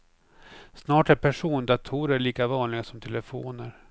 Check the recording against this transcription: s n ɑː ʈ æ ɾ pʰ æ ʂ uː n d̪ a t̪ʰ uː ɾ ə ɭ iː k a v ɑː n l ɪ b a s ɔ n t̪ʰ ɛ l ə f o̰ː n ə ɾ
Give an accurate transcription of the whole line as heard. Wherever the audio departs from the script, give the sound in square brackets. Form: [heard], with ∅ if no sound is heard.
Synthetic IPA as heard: s n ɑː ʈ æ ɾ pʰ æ ʂ uː n d̪ a t̪ʰ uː ɾ ə ɭ iː k a v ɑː n l ɪ [ɡ] a s ɔ [m] t̪ʰ ɛ l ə f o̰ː n ə ɾ